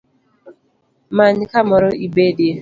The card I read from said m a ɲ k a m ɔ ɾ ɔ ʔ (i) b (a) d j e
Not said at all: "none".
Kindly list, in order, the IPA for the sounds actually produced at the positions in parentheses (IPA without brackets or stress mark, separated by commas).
i, e